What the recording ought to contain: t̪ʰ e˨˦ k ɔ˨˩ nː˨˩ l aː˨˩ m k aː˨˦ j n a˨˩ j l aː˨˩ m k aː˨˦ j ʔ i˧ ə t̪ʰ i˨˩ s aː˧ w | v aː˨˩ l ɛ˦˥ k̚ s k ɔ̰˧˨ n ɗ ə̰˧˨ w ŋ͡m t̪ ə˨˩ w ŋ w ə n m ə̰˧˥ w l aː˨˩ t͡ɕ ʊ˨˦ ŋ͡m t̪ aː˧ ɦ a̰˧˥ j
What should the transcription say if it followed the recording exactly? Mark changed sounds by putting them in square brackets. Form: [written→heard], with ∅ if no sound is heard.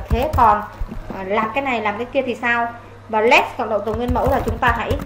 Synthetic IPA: t̪ʰ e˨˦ k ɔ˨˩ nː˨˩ l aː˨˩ m k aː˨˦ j n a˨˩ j l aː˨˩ m k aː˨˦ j [ʔ→k] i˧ ə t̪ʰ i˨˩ s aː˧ w | v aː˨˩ l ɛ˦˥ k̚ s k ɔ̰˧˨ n ɗ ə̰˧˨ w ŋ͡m t̪ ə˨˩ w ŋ w ə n m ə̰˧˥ w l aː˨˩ t͡ɕ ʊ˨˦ ŋ͡m t̪ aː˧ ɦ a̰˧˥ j